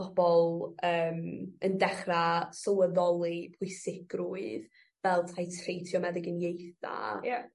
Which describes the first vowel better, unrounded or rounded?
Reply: rounded